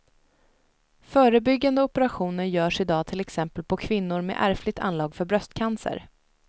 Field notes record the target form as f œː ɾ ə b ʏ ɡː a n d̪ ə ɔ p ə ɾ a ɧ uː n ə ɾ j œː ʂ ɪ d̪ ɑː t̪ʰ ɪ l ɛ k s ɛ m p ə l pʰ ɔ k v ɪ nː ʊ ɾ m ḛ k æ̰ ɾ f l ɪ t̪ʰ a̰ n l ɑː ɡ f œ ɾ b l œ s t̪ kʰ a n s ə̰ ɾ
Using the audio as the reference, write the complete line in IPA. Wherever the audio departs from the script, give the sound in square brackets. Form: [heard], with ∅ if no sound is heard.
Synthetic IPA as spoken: f œː ɾ ə b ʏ ɡː a n d̪ ə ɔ p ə ɾ a ɧ uː n ə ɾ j œː ʂ ɪ d̪ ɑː t̪ʰ ɪ l ɛ k s ɛ m p ə l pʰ ɔ [kʰ] v ɪ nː ʊ ɾ m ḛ [ʔ] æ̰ ɾ f l ɪ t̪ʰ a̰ n l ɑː ɡ f œ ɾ b [ɾ] œ s t̪ kʰ a n s ə̰ ɾ